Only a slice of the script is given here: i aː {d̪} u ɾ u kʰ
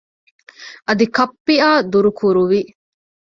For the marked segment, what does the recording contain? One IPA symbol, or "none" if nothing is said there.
d̪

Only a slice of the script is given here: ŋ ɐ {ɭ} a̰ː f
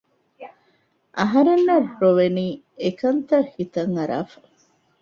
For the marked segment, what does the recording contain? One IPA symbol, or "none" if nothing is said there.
ɾ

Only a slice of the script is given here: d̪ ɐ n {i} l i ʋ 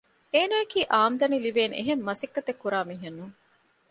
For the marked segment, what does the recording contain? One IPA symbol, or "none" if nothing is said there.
i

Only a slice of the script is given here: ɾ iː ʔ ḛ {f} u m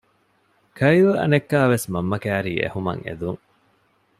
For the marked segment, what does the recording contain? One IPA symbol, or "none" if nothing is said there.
h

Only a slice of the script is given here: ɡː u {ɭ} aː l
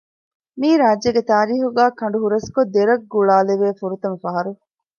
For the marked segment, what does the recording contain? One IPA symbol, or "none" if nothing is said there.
ɭ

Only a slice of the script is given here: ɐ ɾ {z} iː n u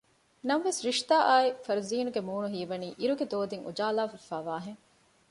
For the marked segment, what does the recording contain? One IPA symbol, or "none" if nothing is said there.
z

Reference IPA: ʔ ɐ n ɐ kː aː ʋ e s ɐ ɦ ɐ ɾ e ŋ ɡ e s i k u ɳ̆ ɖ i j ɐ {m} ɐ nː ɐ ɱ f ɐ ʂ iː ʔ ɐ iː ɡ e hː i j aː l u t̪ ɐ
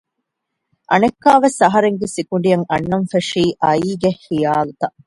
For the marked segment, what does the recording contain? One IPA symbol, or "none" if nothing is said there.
ŋ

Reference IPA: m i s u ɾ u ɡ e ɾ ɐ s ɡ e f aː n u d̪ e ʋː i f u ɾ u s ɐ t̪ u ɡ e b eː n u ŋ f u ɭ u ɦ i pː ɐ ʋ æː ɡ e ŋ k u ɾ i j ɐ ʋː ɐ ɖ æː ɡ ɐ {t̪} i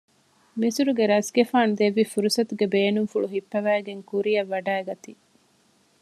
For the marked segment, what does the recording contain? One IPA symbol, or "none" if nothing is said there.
t̪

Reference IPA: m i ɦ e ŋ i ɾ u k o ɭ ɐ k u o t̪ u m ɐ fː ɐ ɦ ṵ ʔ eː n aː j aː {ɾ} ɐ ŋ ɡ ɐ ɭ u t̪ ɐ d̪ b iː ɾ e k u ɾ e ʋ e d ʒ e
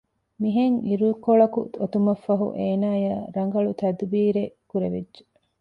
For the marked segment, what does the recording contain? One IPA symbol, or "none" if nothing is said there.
ɾ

